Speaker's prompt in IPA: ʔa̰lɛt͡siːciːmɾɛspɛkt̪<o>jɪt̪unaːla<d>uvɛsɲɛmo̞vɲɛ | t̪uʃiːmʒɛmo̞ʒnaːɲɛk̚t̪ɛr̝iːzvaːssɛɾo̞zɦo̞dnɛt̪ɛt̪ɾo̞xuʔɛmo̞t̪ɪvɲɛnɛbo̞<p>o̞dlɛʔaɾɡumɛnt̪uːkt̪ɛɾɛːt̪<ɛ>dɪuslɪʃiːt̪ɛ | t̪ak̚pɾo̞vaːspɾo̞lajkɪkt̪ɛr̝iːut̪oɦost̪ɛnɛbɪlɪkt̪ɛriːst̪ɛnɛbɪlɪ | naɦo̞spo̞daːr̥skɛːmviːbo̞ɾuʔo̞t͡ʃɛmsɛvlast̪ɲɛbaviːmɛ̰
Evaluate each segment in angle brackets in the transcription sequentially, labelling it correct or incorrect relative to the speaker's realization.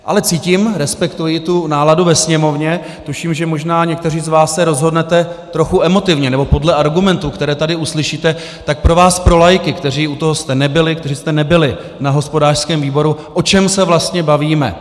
incorrect: u, correct, correct, incorrect: a

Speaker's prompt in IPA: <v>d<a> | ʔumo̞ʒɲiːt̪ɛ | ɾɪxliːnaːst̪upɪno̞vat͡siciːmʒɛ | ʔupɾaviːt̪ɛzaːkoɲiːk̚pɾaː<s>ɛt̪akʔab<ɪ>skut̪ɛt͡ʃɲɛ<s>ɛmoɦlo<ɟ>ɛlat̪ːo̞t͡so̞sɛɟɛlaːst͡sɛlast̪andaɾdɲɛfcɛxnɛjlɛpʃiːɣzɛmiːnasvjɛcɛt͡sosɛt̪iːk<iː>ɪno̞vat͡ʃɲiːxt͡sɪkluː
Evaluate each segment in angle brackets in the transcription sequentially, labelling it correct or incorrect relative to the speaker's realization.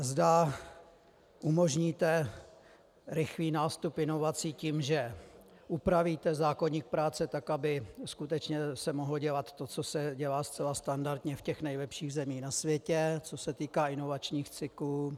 incorrect: z, correct, incorrect: t͡s, correct, correct, correct, incorrect: aː

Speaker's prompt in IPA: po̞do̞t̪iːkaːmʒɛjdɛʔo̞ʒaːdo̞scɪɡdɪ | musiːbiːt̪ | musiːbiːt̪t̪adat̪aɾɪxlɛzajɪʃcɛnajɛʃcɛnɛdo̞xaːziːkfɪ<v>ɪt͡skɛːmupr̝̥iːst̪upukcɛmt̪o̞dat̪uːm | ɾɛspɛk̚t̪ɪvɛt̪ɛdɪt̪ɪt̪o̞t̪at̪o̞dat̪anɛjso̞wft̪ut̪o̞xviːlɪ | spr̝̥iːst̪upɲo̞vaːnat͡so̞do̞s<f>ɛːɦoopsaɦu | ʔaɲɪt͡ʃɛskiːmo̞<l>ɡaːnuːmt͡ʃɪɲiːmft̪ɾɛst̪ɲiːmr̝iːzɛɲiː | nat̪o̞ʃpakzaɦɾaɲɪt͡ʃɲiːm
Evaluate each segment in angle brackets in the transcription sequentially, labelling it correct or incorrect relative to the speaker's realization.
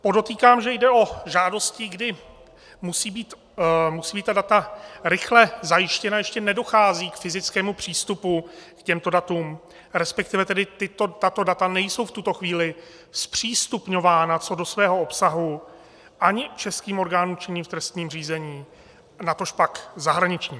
incorrect: z, incorrect: v, incorrect: ɾ

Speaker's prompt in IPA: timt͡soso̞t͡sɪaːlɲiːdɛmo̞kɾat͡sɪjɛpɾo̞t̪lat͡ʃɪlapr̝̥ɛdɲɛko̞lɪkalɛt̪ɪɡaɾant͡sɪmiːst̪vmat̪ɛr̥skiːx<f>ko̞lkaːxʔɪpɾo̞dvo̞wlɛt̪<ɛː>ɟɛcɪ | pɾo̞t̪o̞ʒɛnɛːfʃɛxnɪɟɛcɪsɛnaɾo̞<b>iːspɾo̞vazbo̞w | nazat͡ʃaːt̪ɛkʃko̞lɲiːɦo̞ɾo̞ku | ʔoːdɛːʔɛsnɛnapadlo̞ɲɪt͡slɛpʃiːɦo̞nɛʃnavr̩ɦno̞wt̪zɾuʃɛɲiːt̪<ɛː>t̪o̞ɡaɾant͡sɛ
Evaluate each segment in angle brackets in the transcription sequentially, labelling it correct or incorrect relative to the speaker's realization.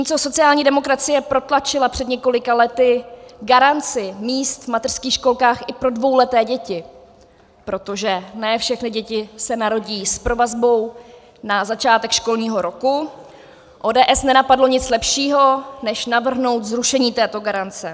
incorrect: ʃ, correct, incorrect: ɟ, correct

